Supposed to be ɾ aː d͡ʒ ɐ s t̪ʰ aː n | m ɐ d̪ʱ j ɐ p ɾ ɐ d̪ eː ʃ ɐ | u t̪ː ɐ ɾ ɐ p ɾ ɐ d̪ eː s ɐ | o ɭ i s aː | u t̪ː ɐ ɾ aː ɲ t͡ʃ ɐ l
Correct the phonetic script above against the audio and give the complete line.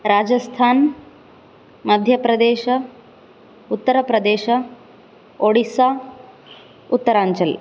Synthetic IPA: ɾ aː d͡ʒ ɐ s t̪ʰ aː n | m ɐ d̪ʱ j ɐ p ɾ ɐ d̪ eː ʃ ɐ | u t̪ː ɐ ɾ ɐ p ɾ ɐ d̪ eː ʃ ɐ | o ɽ i s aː | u t̪ː ɐ ɾ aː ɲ t͡ʃ ɐ l

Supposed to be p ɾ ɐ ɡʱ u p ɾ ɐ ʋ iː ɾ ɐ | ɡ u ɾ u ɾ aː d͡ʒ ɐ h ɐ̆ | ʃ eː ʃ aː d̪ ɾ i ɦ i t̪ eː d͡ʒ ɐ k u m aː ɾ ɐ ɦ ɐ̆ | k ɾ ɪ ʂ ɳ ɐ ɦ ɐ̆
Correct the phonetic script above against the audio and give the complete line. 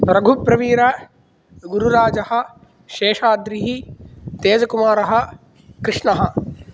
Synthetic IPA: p ɾ ɐ ɡʱ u p ɾ ɐ ʋ iː ɾ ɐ | ɡ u ɾ u ɾ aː d͡ʒ ɐ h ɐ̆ | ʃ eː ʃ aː d̪ ɾ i ɦ i t̪ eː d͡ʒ ɐ k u m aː ɾ ɐ ɦ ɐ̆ | k ɾ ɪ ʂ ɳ ɐ ɦ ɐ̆

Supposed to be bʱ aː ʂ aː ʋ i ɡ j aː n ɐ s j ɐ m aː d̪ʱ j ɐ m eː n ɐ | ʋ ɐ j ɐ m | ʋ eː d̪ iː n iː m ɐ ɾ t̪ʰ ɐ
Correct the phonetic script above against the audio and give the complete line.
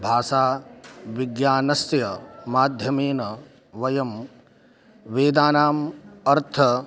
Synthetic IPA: bʱ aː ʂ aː ʋ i ɡ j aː n ɐ s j ɐ m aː d̪ʱ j ɐ m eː n ɐ | ʋ ɐ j ɐ m | ʋ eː d̪ aː n aː m ɐ ɾ t̪ʰ ɐ

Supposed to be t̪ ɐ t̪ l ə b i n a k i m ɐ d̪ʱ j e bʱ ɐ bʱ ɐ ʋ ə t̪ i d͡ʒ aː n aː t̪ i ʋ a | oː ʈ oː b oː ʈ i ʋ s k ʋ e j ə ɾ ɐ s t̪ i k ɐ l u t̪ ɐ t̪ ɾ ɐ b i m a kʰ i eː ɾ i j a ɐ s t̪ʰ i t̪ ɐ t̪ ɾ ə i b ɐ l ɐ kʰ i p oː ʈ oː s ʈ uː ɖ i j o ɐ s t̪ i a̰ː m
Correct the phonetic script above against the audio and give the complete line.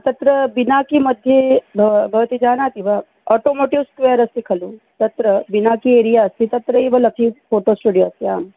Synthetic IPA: t̪ ɐ t̪ ɾ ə b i n a k i m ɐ d̪ʱ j e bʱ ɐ bʱ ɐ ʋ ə t̪ i d͡ʒ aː n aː t̪ i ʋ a | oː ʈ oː m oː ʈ i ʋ s k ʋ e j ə ɾ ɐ s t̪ i kʰ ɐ l u t̪ ɐ t̪ ɾ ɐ b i n a k i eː ɾ i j a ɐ s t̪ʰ i t̪ ɐ t̪ ɾ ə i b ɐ l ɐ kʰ i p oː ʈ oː s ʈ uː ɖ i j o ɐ s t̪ i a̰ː m

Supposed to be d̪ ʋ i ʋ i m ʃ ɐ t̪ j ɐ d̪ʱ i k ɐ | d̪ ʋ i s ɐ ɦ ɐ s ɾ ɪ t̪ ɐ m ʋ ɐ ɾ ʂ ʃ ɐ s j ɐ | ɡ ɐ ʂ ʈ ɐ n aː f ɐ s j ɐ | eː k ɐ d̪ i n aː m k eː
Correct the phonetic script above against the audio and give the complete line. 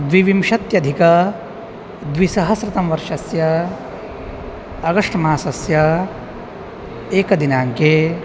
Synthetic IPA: d̪ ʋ i ʋ i m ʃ ɐ t̪ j ɐ d̪ʱ i k ɐ | d̪ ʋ i s ɐ ɦ ɐ s ɾ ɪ t̪ ɐ m ʋ ɐ ɾ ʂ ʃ ɐ s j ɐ | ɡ ɐ ʂ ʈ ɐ m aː s ɐ s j ɐ | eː k ɐ d̪ i n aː ŋ k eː

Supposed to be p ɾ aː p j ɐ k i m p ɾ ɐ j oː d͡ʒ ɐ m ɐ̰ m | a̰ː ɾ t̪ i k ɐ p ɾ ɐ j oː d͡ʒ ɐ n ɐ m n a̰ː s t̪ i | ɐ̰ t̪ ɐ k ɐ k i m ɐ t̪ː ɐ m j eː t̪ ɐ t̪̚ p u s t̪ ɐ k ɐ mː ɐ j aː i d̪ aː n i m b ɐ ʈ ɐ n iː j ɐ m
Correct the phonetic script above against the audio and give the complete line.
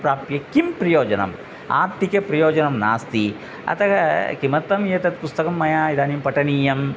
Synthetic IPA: p ɾ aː p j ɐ k i m p ɾ ɐ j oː d͡ʒ ɐ n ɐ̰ m | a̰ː ɾ t̪ i k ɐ p ɾ ɐ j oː d͡ʒ ɐ n ɐ m n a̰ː s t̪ i | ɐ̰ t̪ ɐ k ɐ k i m ɐ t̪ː ɐ m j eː t̪ ɐ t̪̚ p u s t̪ ɐ k ɐ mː ɐ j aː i d̪ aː n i m p ɐ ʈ ɐ n iː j ɐ m

